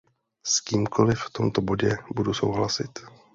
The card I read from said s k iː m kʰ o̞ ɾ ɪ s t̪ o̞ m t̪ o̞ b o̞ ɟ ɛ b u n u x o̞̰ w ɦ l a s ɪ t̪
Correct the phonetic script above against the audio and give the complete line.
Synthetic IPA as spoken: s k iː m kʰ o̞ l ɪ f t̪ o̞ m t̪ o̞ b o̞ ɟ ɛ b u d u s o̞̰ w ɦ l a s ɪ t̪